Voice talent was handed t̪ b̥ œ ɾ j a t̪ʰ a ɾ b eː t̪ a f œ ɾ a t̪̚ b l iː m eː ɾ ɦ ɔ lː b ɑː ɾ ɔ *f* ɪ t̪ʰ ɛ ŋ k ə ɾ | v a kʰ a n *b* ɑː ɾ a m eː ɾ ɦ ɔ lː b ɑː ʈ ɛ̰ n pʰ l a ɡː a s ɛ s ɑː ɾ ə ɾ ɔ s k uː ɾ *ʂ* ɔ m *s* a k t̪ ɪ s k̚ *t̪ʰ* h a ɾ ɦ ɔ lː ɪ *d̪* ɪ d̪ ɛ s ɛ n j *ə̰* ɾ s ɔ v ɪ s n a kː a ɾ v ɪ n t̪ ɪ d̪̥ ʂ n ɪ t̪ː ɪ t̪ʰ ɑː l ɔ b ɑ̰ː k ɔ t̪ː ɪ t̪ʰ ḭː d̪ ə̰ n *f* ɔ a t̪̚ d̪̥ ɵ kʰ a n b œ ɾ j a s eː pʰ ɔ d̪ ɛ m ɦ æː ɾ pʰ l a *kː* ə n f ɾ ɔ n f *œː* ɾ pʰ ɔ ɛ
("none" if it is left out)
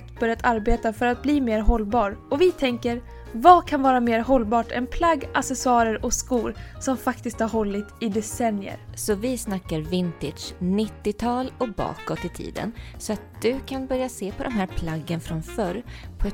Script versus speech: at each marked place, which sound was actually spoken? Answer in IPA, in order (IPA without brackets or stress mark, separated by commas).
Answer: v, v, s, f, t̪, t̪, ə̰, s, ɡː, œ